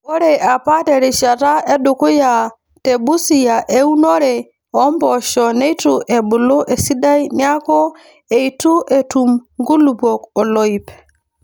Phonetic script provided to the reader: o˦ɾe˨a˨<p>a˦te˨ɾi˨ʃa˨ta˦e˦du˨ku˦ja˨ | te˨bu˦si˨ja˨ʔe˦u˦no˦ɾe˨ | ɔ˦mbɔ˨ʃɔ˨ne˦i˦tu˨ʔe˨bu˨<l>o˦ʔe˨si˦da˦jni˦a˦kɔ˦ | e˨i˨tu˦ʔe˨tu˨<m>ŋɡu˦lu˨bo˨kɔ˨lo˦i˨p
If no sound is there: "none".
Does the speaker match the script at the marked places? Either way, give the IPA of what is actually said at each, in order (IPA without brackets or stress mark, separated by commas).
p, l, m